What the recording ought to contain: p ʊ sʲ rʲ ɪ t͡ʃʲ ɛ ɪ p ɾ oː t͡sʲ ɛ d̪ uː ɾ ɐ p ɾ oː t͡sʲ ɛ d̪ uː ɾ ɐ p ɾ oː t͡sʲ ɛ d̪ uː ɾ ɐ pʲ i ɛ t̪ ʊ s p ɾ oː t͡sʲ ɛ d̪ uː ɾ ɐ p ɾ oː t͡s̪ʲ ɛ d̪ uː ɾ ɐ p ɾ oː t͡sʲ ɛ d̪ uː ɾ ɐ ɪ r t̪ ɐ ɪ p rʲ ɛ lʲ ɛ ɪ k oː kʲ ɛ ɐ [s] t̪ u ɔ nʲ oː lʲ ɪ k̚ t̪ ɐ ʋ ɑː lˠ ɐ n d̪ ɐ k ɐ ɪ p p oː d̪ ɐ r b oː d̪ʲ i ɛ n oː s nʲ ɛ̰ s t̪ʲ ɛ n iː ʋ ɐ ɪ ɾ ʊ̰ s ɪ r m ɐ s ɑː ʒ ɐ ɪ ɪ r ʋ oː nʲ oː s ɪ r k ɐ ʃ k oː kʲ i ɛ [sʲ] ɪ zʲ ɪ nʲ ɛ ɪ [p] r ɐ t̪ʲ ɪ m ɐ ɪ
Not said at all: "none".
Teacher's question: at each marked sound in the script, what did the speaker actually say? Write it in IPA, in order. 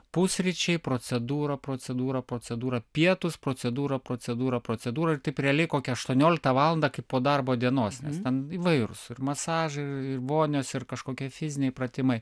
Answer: ʃ, fʲ, p

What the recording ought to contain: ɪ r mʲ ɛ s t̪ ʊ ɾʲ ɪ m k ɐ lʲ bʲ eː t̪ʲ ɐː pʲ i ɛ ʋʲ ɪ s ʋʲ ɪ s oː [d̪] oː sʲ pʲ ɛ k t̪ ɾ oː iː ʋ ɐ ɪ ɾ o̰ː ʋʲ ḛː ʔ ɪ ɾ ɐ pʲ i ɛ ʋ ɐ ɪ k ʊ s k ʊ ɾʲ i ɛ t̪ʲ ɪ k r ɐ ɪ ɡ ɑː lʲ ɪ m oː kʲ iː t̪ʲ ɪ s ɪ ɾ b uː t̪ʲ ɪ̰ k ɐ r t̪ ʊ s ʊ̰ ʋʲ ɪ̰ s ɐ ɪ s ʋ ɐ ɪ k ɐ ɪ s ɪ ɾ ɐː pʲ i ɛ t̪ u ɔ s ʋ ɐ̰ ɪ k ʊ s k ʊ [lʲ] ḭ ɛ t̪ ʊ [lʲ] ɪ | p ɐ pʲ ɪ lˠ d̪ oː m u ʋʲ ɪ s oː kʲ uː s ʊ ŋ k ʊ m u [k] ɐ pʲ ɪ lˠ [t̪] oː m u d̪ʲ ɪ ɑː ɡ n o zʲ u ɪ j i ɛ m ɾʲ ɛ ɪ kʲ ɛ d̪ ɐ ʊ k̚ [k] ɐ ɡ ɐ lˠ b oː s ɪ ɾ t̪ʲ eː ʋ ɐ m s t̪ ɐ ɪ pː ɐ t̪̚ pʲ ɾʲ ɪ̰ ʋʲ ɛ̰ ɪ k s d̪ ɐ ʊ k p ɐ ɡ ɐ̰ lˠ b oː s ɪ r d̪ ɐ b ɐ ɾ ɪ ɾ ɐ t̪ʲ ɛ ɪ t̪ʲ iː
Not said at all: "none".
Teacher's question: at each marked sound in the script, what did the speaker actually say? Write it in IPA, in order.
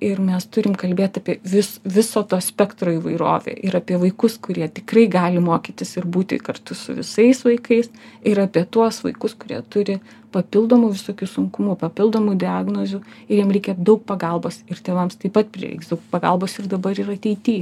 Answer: t̪, ɾʲ, ɾʲ, p, d̪, p

